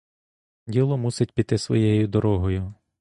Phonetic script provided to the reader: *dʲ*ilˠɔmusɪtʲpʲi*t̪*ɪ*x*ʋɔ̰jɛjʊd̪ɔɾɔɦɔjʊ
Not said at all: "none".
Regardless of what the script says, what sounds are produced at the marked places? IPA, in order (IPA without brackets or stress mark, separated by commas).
dʲ, t̪, s